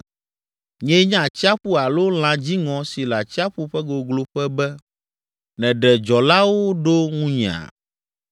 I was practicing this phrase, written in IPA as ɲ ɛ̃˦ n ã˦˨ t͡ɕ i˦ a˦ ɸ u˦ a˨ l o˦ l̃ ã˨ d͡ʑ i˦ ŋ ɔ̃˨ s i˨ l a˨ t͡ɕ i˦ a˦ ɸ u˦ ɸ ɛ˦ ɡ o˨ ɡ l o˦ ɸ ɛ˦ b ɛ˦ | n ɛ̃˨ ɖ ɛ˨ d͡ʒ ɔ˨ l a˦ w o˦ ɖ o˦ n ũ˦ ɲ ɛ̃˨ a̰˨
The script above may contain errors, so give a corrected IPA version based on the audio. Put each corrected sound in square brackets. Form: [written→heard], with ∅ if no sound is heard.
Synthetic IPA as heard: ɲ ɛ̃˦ [n→ɲ] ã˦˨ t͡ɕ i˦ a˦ ɸ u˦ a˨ l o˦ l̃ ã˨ d͡ʑ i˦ ŋ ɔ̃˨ s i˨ l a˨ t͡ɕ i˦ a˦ ɸ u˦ ɸ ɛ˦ ɡ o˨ ɡ l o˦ ɸ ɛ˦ b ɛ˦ | n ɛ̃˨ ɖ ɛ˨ d͡ʒ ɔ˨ l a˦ w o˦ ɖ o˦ [n→ŋ] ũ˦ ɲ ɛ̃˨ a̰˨

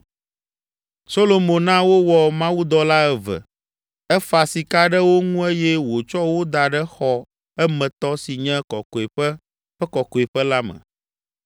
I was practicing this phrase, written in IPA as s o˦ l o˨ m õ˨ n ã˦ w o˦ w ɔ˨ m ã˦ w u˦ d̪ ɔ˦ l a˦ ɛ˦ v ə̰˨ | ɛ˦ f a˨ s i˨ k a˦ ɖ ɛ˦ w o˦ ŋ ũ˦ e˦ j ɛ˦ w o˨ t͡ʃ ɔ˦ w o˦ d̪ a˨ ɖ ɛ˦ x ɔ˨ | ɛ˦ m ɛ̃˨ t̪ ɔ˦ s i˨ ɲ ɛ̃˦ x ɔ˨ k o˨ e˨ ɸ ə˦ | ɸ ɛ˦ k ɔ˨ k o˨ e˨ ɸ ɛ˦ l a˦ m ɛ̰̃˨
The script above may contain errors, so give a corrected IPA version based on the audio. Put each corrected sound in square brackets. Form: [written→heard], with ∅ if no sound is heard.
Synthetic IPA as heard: s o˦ l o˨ m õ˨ n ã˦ w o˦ w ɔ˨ m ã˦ w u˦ d̪ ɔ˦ l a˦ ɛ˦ v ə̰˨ | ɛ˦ f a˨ s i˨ k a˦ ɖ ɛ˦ w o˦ ŋ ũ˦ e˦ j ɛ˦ w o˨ t͡ʃ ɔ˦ w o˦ d̪ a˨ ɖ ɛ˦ x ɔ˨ | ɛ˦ m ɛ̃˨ t̪ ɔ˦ s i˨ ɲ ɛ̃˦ [x→k] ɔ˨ k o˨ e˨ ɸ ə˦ | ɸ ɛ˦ k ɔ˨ k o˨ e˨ ɸ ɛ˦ l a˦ m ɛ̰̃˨

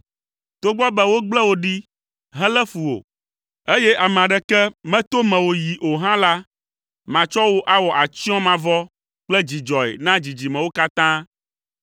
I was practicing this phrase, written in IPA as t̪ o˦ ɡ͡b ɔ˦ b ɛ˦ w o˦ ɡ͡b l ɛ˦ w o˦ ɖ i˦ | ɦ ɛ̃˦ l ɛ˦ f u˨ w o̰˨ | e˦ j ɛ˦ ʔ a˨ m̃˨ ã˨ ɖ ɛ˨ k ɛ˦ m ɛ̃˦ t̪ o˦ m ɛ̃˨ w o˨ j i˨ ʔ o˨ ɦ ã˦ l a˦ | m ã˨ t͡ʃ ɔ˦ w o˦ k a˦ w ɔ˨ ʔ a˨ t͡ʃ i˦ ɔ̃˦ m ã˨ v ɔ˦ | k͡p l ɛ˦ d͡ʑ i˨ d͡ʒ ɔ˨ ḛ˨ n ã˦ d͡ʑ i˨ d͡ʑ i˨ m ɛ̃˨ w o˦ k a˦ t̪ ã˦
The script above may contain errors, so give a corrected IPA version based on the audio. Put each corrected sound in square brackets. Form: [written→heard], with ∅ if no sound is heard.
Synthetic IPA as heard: t̪ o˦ ɡ͡b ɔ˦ b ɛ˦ w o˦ ɡ͡b l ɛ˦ w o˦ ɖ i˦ | ɦ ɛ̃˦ l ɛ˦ f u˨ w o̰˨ | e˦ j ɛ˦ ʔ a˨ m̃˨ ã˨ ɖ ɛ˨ k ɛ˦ m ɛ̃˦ t̪ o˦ m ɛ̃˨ w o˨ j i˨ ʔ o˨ ɦ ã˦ l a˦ | m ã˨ t͡ʃ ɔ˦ w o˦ [k→ʔ] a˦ w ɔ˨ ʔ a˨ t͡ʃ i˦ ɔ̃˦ m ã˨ v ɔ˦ | k͡p l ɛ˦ d͡ʑ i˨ d͡ʒ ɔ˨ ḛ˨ n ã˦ d͡ʑ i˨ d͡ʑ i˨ m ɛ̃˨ w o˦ k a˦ t̪ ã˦

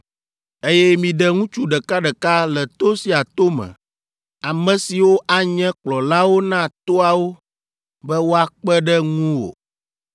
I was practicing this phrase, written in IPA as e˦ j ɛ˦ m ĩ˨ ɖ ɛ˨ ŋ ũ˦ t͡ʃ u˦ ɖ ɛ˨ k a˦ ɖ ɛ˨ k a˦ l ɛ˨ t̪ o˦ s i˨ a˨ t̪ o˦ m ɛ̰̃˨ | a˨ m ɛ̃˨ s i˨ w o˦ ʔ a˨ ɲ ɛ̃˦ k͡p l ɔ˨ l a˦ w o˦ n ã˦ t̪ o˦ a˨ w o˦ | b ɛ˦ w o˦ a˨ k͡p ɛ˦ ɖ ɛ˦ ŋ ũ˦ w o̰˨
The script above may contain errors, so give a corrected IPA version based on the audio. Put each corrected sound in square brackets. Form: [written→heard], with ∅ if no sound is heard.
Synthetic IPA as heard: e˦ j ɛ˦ m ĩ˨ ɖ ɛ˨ ŋ ũ˦ t͡ʃ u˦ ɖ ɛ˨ k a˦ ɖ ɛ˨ k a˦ l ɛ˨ t̪ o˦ s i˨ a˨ t̪ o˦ m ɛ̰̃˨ | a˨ m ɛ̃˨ s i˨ w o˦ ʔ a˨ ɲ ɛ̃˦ k͡p l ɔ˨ l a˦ w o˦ n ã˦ t̪ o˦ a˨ w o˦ | b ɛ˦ w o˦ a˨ k͡p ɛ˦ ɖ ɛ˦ ŋ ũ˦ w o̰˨

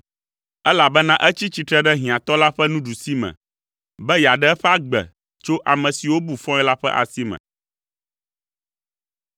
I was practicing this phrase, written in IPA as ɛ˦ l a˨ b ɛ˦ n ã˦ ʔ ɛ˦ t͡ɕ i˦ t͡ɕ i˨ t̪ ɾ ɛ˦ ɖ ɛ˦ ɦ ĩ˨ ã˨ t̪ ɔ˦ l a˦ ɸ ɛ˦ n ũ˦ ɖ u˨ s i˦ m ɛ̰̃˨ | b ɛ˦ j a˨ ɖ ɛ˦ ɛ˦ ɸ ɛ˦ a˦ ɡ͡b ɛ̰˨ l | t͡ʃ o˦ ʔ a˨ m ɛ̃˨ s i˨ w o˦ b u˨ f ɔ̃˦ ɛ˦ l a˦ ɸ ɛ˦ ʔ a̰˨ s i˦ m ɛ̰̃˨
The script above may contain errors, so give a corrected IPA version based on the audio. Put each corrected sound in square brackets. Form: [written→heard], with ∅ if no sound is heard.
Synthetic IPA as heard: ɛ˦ l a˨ b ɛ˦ n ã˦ ʔ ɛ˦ t͡ɕ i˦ t͡ɕ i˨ t̪ ɾ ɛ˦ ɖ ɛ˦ ɦ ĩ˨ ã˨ t̪ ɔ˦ l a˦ ɸ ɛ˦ n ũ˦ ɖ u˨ s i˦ m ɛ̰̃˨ | b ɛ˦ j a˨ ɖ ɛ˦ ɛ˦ ɸ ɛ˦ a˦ ɡ͡b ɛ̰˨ [l→∅] | t͡ʃ o˦ ʔ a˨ m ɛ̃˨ s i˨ w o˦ b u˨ f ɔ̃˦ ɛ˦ l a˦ ɸ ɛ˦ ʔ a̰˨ s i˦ m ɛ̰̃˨

